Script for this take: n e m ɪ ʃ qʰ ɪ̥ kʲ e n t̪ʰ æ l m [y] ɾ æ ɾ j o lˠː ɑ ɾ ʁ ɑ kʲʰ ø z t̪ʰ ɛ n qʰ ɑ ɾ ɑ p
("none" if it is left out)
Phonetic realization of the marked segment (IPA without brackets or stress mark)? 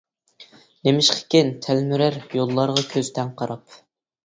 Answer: y